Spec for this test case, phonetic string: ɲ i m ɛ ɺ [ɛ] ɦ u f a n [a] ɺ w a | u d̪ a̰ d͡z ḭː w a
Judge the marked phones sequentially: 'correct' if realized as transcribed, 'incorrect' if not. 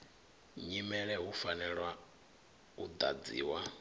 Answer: correct, incorrect

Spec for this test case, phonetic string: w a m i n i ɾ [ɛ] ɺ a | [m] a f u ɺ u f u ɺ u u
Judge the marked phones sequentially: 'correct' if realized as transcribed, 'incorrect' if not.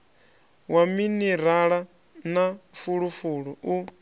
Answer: incorrect, incorrect

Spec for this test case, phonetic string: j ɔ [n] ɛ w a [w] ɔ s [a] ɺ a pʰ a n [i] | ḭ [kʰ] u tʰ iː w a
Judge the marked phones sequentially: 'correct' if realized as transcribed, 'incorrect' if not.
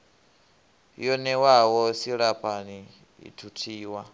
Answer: correct, correct, incorrect, correct, incorrect

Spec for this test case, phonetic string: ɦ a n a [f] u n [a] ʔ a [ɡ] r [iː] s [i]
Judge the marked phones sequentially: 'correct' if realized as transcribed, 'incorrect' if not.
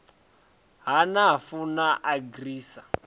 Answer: correct, correct, correct, correct, incorrect

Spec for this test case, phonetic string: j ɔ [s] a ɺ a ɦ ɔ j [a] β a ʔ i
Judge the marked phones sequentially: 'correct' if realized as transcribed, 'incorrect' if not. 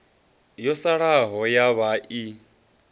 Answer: correct, correct

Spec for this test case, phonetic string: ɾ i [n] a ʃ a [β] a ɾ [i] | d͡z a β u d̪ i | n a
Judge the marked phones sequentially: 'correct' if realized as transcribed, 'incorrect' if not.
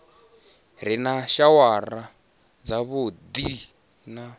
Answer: correct, incorrect, incorrect

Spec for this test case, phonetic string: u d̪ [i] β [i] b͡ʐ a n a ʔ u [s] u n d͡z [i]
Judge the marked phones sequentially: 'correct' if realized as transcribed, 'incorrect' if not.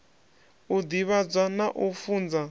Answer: correct, incorrect, incorrect, incorrect

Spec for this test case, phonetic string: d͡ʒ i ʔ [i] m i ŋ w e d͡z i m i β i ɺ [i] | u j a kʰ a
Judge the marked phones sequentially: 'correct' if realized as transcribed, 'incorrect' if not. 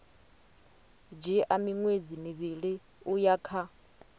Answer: incorrect, correct

